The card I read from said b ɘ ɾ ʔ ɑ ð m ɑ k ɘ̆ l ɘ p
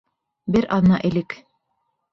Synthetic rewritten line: b ɘ ɾ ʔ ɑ ð n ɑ ʔ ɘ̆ l ɘ k